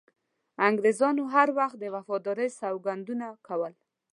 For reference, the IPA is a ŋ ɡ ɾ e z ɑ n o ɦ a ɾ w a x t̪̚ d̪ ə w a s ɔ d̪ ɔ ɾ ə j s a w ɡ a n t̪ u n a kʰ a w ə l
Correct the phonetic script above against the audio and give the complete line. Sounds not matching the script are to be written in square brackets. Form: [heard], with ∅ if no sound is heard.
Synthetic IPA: a ŋ ɡ ɾ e z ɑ n o ɦ a ɾ w a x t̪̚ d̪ ə w a [f] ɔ d̪ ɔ ɾ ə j s a w ɡ a n [d̪] u n a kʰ a w ə l